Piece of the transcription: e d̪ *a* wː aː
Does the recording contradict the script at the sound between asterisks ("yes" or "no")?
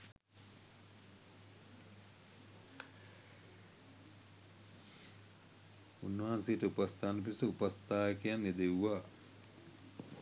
yes